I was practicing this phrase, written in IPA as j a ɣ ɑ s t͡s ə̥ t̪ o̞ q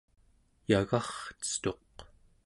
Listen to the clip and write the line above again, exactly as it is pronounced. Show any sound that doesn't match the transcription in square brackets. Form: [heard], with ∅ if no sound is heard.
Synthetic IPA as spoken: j a ɣ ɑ [χ] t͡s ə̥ t̪ o̞ q